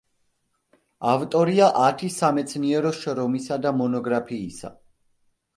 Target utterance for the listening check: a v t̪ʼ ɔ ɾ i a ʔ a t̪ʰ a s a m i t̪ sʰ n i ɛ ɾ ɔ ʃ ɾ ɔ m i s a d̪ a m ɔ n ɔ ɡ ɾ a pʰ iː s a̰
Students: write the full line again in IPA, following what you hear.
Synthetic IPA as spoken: a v t̪ʼ ɔ ɾ i a ʔ a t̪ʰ i s a m ɛ t̪ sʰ n i ɛ ɾ ɔ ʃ ɾ ɔ m i s a d̪ a m ɔ n ɔ ɡ ɾ a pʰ iː s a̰